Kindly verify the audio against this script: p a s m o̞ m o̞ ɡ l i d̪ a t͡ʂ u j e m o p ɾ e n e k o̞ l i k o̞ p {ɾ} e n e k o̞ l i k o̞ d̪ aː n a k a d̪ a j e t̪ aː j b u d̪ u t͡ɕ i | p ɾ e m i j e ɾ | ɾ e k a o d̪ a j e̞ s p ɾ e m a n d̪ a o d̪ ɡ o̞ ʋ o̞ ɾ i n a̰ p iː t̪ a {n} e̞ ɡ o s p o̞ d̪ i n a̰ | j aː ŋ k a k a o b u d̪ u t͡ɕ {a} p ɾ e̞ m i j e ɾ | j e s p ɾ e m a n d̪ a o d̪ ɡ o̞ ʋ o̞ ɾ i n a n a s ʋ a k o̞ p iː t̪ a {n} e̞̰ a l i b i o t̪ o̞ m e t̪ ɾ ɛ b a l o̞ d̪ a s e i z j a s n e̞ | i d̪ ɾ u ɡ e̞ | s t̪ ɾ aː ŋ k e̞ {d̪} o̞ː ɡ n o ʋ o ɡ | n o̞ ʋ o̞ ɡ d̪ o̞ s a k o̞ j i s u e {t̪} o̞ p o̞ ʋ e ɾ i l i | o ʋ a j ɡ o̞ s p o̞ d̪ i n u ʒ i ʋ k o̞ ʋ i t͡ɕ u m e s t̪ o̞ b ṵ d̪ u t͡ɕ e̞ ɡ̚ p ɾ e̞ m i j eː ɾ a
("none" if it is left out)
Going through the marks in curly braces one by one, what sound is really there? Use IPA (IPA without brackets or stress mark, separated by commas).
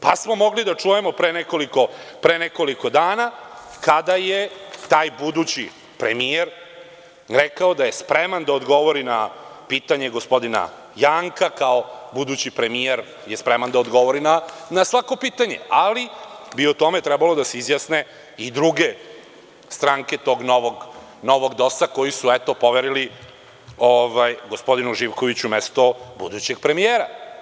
ɾ, ɲ, i, ɲ, t̪, t̪